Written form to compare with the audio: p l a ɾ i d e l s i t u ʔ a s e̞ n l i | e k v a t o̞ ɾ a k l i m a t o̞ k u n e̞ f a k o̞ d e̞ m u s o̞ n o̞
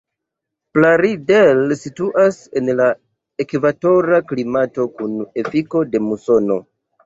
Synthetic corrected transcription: p l a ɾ i d e l s i t u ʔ a s e̞ n l a | e k v a t o̞ ɾ a k l i m a t o̞ k u n e̞ f i k o̞ d e̞ m u s o̞ n o̞